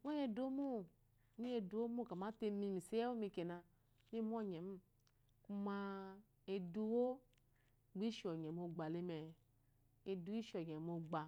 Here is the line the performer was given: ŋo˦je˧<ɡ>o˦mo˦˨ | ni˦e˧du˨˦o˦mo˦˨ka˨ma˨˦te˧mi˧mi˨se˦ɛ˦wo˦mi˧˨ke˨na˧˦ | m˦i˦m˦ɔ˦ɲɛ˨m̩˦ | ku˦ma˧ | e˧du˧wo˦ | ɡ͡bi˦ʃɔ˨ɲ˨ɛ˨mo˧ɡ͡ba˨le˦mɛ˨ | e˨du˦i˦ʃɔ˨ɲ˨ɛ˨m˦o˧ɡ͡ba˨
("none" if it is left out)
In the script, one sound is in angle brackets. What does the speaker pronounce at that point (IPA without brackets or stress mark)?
d